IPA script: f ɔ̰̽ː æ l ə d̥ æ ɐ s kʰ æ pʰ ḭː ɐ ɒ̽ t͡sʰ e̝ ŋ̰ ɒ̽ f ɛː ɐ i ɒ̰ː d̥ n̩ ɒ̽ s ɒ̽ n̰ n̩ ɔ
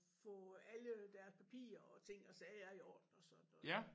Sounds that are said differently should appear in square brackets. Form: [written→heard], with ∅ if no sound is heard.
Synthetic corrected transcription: f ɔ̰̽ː æ l ə d̥ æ ɐ s [kʰ→pʰ] æ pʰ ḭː ɐ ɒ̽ t͡sʰ e̝ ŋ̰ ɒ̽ [f→s] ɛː ɐ i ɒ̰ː d̥ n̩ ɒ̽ s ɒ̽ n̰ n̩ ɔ